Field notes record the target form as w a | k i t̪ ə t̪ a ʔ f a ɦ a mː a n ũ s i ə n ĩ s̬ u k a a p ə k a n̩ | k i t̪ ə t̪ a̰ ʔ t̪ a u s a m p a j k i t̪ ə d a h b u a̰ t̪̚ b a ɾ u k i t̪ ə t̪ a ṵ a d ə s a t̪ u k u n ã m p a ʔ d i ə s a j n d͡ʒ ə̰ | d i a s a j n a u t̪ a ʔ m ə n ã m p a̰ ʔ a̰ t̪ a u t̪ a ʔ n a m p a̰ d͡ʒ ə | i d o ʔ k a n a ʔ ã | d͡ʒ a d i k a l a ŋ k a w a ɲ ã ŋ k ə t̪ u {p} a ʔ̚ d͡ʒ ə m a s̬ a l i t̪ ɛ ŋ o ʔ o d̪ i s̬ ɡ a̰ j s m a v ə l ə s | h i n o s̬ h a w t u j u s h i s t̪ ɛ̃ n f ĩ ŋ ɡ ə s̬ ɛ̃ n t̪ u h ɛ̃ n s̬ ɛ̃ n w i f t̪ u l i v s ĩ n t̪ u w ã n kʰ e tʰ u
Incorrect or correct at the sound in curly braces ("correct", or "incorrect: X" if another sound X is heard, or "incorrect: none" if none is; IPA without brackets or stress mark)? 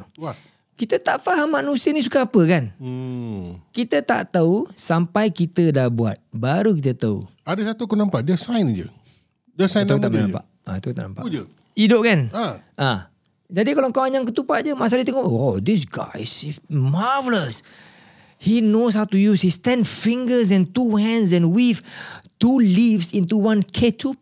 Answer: correct